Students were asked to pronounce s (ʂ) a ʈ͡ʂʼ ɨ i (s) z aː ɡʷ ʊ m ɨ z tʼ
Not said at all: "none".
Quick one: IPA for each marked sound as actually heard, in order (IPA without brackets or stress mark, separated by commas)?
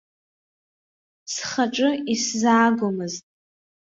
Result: χ, s